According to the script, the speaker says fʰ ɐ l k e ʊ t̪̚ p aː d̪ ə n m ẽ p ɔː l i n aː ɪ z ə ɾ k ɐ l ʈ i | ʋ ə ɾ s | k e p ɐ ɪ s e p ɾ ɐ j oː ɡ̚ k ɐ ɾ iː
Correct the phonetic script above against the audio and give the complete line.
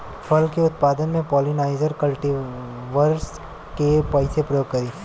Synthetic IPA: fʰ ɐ l k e ʊ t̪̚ p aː d̪ ə n m ẽ p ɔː l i n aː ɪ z ə ɾ k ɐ l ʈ i | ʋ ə ɾ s | k e p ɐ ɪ s e p ɾ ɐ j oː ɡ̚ k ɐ ɾ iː